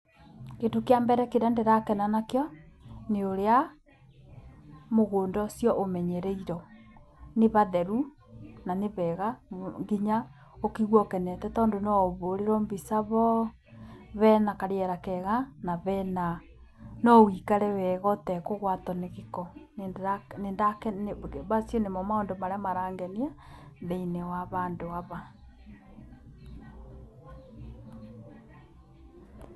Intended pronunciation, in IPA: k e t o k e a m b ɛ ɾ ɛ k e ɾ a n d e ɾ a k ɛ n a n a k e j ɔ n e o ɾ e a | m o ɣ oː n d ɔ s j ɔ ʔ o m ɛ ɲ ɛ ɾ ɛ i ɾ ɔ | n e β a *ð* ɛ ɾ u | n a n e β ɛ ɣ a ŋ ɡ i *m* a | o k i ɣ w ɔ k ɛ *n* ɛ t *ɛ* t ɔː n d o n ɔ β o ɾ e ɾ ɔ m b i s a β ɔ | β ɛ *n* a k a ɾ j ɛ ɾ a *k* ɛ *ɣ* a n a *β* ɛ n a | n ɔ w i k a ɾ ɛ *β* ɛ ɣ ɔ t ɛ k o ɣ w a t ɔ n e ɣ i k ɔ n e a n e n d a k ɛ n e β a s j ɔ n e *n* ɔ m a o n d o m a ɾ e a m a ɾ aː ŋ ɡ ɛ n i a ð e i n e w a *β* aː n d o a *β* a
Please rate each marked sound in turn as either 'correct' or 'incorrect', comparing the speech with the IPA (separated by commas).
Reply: correct, incorrect, correct, correct, correct, correct, correct, correct, incorrect, incorrect, correct, correct